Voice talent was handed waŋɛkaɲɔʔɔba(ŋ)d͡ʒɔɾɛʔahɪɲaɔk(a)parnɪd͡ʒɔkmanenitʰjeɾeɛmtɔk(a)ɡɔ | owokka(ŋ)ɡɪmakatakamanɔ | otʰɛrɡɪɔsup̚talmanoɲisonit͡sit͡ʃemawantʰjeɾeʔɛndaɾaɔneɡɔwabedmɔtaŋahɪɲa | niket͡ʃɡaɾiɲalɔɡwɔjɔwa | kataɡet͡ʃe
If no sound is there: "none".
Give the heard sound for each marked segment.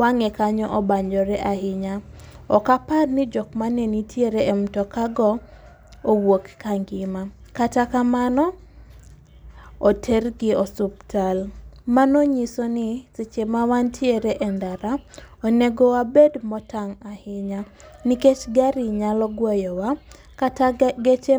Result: ɲ, a, a, ŋ

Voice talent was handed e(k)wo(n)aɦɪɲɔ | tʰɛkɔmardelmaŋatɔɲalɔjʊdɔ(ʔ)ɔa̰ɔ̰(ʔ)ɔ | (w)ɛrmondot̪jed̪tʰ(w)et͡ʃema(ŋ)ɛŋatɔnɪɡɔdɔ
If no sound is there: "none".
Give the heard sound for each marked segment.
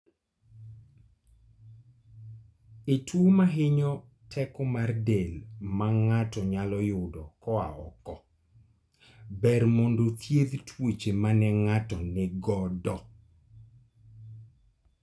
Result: t, m, k, k, b, w, n

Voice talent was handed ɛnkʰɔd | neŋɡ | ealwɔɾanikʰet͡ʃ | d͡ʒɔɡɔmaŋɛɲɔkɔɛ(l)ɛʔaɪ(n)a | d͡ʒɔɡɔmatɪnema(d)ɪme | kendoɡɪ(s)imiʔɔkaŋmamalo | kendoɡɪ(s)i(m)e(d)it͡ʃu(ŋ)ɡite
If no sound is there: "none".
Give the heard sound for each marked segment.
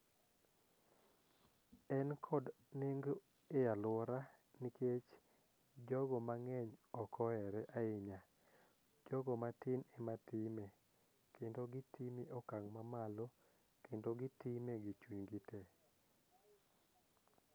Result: ɾ, ɲ, t, t, t, m, ɡ, ɲ

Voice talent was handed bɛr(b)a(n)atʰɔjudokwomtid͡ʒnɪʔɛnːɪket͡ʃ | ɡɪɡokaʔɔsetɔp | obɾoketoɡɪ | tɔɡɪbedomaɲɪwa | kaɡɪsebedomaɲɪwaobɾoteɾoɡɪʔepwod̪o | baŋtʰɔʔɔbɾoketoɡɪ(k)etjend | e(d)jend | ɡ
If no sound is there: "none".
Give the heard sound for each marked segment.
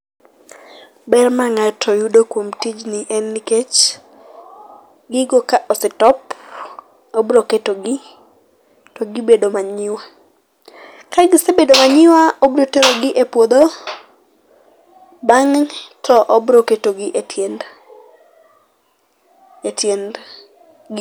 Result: m, ŋ, ʔ, t

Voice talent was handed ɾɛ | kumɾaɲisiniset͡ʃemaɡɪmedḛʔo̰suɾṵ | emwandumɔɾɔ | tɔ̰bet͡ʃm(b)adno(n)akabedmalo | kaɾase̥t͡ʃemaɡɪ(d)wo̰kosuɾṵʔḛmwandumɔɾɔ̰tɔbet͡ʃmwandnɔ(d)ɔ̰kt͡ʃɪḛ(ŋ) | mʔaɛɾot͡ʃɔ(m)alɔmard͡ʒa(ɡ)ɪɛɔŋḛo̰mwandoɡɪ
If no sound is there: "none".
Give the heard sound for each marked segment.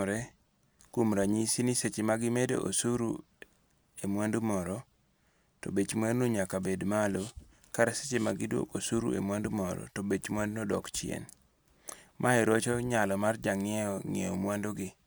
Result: w, ɲ, d, d, n, ɲ, ŋ

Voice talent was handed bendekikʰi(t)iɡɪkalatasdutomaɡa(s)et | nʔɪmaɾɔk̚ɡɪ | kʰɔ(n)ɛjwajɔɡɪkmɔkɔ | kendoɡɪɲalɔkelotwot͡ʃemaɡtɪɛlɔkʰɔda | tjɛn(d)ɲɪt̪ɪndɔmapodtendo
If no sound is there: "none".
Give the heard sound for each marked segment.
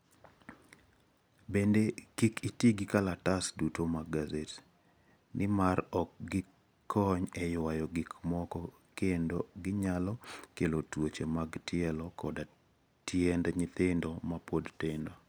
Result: t, z, ɲ, d

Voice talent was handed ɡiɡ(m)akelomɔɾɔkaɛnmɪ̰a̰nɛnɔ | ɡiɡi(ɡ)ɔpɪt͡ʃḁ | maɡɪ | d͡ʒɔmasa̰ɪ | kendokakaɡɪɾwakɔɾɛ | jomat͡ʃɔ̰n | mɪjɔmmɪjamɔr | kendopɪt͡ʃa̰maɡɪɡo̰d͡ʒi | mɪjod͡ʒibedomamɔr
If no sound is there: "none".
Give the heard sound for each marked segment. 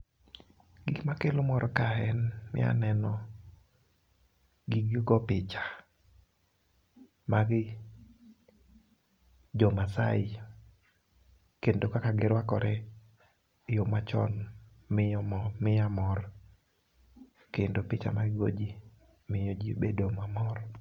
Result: m, ɡ

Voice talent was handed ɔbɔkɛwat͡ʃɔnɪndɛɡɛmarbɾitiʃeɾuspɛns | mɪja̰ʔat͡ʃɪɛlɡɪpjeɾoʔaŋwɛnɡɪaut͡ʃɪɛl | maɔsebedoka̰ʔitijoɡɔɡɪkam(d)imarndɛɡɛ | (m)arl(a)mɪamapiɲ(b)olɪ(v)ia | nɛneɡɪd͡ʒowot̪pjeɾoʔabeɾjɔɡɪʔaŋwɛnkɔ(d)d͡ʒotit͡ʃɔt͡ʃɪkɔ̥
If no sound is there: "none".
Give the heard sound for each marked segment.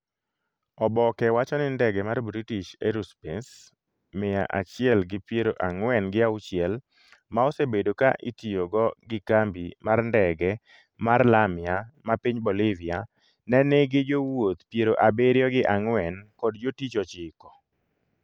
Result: b, m, a, b, v, d

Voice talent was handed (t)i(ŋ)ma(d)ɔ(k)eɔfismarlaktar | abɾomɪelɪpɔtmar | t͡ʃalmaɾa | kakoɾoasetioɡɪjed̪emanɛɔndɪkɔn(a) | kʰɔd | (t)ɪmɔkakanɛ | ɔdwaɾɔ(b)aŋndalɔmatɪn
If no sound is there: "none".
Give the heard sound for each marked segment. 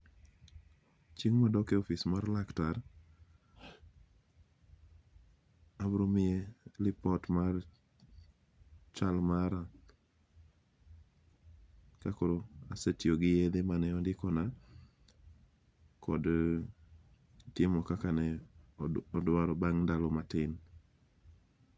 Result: t͡ʃ, ŋ, d, k, a, t, b

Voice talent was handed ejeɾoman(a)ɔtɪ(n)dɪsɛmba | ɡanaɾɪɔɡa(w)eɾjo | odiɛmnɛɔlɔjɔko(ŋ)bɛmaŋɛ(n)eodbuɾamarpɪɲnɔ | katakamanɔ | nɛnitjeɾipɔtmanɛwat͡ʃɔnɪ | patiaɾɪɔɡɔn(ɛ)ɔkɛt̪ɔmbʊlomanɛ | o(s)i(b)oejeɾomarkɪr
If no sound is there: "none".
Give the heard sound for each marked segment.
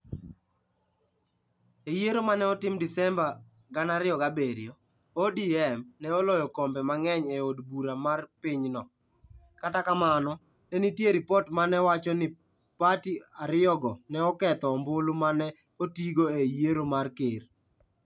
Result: ɛ, m, b, m, ɲ, ɛ, t, ɡ

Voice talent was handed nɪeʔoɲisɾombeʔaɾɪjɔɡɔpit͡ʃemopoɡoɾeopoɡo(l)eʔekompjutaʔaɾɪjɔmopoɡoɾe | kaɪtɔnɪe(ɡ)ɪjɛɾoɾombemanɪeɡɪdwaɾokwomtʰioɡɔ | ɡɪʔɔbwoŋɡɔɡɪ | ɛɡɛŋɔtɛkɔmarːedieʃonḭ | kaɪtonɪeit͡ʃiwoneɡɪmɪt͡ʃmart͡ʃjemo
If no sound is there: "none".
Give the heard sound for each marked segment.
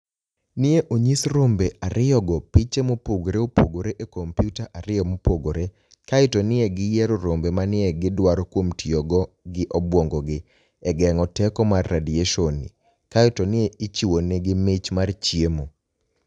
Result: ɾ, ɡ

